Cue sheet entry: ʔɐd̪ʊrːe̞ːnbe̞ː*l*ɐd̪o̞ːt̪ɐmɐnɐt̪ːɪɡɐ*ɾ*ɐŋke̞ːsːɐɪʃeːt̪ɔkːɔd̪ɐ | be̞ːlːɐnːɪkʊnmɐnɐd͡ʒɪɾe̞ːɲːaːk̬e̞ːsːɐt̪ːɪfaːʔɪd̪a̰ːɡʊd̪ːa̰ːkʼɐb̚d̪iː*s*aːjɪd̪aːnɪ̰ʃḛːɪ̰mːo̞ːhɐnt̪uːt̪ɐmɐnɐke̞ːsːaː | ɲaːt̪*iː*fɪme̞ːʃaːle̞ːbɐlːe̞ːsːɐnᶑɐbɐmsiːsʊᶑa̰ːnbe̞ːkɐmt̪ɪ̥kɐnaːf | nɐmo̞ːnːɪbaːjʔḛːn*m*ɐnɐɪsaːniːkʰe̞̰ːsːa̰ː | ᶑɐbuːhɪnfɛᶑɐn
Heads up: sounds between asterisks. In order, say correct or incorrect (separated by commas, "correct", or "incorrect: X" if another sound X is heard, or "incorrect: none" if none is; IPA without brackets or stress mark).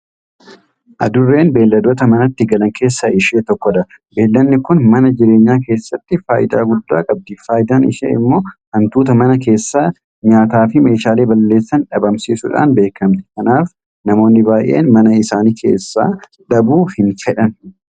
incorrect: lː, incorrect: l, incorrect: f, incorrect: aː, correct